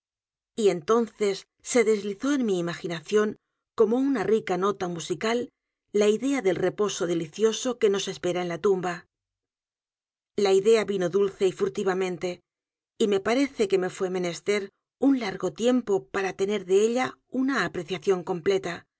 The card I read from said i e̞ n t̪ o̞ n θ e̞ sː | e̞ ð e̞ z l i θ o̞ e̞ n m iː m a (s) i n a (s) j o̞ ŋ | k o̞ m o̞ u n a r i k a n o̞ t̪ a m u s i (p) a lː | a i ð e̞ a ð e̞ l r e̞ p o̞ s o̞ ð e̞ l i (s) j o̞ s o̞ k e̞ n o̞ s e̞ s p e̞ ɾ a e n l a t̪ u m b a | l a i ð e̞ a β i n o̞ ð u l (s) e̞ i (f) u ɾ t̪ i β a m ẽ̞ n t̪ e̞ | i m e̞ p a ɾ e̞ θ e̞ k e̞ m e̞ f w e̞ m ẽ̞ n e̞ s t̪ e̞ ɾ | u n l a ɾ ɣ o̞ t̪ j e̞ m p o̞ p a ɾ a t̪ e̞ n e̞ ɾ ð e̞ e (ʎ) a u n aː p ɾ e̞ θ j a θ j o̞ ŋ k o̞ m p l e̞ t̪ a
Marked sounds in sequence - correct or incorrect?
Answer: incorrect, incorrect, incorrect, incorrect, incorrect, correct, correct

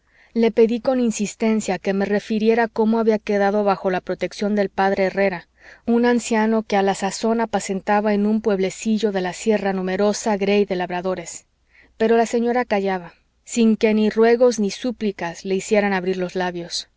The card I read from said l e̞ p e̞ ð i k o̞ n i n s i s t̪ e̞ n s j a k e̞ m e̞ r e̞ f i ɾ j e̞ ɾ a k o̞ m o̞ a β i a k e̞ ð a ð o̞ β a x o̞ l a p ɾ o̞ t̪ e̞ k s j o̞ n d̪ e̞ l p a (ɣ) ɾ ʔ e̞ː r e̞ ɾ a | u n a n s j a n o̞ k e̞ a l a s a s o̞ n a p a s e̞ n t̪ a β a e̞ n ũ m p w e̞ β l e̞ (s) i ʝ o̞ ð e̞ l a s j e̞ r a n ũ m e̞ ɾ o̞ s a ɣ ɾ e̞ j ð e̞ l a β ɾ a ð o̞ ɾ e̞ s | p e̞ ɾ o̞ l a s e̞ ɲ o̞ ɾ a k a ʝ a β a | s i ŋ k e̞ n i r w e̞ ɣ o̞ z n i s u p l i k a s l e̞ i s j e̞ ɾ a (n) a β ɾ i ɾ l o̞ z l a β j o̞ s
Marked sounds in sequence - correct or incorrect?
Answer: incorrect, correct, correct

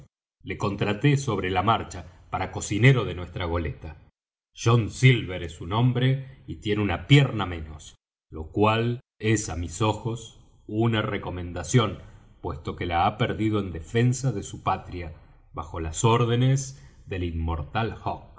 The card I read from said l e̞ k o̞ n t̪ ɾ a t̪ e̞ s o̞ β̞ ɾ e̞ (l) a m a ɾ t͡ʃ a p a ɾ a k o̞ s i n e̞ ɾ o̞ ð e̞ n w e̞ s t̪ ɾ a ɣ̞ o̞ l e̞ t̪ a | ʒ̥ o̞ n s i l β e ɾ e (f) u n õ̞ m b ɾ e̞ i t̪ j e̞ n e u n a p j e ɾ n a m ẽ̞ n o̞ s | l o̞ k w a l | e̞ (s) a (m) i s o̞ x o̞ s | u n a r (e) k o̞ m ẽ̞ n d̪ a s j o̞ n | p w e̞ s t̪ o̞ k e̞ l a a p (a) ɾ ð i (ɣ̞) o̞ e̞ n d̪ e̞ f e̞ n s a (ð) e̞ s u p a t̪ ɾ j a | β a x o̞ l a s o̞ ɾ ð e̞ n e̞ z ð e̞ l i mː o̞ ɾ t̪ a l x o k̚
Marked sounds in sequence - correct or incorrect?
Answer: correct, incorrect, correct, correct, correct, incorrect, incorrect, correct

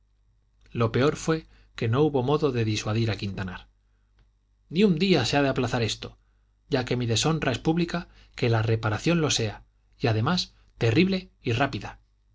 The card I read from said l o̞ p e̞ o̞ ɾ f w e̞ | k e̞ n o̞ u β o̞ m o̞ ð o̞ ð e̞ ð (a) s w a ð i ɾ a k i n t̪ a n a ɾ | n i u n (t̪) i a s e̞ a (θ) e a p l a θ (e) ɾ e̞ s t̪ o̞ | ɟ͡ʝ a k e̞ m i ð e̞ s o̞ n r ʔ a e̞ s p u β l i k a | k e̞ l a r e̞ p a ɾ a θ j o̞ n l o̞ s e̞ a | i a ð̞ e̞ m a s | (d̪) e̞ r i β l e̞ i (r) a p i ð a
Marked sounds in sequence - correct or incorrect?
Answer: incorrect, incorrect, incorrect, incorrect, incorrect, correct

